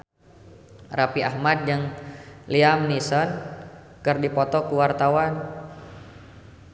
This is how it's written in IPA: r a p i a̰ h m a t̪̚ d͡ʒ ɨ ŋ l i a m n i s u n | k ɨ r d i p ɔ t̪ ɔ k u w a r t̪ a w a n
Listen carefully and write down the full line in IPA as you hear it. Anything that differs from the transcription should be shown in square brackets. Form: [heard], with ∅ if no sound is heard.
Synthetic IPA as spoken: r a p i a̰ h m a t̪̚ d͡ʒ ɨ ŋ l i a m n i s [ɔ] n | k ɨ r d i p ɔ t̪ ɔ k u w a r t̪ a w a n